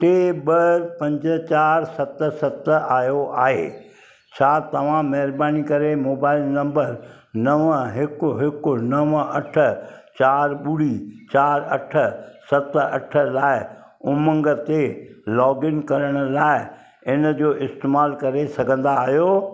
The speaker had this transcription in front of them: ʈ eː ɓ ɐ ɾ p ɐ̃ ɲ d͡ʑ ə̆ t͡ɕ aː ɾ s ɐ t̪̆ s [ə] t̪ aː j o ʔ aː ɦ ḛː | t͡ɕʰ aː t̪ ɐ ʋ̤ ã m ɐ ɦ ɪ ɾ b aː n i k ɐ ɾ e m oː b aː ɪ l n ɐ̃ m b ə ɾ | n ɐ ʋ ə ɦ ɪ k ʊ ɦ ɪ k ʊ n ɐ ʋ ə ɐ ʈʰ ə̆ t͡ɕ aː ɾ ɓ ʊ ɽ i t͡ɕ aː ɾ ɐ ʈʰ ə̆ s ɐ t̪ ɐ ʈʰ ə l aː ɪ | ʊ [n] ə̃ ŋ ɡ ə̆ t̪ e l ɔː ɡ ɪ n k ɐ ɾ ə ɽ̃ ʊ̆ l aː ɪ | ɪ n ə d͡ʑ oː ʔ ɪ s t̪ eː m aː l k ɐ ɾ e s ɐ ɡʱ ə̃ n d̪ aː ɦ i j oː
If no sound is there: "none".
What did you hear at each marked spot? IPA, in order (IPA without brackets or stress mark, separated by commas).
ɐ, m